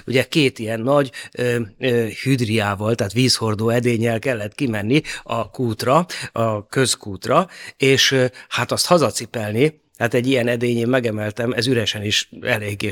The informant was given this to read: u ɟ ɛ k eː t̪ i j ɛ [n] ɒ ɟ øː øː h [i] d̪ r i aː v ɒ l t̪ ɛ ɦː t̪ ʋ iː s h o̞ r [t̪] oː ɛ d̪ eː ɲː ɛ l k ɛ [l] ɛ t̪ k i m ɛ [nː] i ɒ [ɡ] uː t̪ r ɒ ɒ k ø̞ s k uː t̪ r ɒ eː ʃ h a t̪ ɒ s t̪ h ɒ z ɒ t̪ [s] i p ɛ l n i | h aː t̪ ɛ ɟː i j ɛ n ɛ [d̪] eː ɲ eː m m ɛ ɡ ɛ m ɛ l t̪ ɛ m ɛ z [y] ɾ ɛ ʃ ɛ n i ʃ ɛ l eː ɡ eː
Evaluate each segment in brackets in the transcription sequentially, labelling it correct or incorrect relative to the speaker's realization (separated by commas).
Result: incorrect, incorrect, incorrect, incorrect, correct, incorrect, correct, correct, correct